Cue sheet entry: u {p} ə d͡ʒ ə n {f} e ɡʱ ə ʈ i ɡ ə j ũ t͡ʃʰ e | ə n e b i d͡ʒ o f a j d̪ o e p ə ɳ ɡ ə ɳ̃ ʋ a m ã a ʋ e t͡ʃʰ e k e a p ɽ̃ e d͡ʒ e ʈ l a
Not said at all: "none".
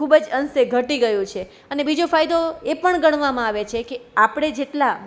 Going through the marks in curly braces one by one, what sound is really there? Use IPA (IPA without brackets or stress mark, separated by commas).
b, s